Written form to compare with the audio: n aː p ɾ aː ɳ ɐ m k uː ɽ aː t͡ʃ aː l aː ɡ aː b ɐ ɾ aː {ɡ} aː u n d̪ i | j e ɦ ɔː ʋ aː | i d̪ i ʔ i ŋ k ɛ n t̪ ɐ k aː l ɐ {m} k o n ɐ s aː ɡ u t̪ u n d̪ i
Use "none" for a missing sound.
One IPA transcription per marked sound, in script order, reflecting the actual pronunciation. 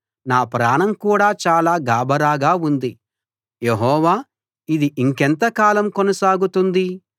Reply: ɡ, m

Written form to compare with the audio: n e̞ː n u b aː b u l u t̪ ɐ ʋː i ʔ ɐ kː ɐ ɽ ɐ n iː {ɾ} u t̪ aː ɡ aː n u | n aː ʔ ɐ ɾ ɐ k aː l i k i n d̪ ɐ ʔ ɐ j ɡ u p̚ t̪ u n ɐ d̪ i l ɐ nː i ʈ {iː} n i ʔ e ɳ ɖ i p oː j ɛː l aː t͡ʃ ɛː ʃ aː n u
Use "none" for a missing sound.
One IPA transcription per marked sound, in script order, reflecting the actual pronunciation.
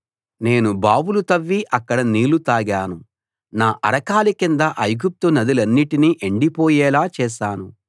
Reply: l, i

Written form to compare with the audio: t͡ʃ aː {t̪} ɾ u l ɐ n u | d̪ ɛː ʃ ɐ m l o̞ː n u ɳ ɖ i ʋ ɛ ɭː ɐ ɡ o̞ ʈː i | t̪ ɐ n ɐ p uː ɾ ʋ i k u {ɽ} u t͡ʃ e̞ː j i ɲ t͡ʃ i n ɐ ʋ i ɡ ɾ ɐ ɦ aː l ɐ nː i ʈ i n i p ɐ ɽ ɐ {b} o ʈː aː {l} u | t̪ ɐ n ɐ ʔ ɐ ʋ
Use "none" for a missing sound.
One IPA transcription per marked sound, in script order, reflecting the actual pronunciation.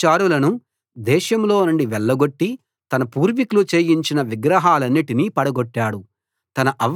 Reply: none, l, ɡ, ɽ

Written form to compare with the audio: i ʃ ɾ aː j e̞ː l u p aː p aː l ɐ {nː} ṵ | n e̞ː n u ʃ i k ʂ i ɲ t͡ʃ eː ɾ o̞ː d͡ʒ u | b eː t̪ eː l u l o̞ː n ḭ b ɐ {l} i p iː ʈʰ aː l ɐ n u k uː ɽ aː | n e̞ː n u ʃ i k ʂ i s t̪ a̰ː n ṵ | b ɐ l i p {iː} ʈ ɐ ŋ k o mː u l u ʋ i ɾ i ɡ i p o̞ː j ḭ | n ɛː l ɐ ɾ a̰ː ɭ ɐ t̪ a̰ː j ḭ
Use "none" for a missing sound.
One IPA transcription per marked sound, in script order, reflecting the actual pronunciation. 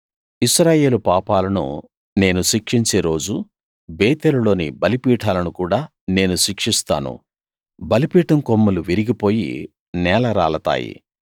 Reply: n, l, iː

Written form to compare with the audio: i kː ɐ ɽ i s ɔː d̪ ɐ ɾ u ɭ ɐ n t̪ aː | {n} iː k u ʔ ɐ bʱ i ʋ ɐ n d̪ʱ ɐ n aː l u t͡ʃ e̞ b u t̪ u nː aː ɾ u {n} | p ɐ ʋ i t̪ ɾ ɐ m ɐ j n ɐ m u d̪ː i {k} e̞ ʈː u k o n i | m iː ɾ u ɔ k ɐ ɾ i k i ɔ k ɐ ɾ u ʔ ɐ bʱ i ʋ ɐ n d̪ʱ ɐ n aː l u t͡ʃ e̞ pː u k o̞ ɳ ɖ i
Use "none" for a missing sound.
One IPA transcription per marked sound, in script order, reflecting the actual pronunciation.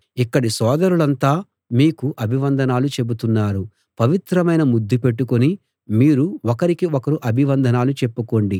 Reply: m, none, p

